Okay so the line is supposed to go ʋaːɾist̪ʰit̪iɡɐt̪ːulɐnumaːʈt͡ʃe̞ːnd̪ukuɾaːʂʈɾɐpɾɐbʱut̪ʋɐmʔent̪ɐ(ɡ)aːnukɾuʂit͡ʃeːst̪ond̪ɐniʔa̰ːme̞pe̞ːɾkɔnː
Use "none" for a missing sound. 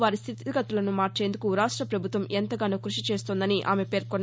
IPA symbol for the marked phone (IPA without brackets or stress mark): ɡ